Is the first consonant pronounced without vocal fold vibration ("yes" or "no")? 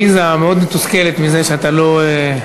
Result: no